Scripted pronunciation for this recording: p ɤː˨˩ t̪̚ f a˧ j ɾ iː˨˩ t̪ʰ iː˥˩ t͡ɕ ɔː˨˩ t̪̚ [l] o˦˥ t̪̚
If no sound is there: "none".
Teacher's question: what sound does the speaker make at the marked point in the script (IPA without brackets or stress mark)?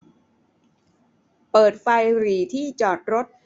ɾ